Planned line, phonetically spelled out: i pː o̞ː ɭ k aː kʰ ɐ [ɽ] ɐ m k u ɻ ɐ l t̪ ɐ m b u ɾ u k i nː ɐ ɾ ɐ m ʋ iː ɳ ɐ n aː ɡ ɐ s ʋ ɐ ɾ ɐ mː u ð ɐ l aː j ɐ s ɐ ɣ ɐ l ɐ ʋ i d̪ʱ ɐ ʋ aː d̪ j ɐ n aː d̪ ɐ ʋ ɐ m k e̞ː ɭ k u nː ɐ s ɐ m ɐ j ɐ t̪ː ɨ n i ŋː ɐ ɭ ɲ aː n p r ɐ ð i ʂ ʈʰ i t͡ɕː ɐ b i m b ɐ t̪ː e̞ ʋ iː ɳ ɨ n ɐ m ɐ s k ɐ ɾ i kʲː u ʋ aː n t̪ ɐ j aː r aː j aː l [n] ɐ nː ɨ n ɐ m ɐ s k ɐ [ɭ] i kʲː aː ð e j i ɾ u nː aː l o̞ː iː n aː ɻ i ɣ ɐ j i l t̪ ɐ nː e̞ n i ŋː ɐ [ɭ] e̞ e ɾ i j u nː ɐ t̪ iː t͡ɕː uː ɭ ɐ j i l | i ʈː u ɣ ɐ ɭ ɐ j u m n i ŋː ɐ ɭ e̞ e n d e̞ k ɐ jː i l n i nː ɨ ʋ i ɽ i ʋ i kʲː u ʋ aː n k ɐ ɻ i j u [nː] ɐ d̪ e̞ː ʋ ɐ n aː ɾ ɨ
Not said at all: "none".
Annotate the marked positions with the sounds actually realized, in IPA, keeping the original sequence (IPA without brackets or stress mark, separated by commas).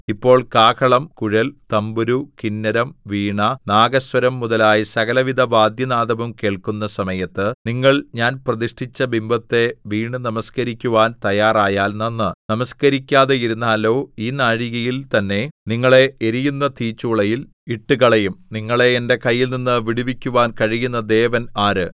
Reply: ɭ, n, ɾ, ɭ, nː